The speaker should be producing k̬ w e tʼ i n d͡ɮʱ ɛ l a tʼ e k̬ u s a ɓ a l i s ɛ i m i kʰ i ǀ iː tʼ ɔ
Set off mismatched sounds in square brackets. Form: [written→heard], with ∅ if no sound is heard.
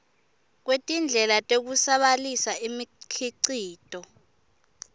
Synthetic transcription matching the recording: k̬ w e tʼ i n d͡ɮʱ ɛ l a tʼ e k̬ u s a ɓ a l i s [ɛ→a] i m i kʰ i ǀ iː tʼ ɔ